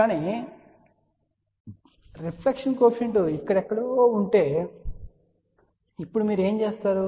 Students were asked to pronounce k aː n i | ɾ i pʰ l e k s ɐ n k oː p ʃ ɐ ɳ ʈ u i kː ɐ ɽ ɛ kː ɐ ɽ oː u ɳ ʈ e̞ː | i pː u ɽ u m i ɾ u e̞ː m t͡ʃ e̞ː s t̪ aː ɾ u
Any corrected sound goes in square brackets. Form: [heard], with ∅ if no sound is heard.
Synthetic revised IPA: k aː n i | ɾ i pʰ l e k [ʂ] ɐ n k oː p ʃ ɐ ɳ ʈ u i kː ɐ ɽ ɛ kː ɐ ɽ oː u ɳ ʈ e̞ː | i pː u ɽ u m [iː] ɾ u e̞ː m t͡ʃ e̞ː s t̪ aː ɾ u